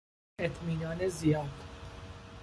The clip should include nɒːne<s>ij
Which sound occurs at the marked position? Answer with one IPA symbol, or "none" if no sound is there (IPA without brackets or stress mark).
z